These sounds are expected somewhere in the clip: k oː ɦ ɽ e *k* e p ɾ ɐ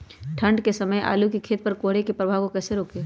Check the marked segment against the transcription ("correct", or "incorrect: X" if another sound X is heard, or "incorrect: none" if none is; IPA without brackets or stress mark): correct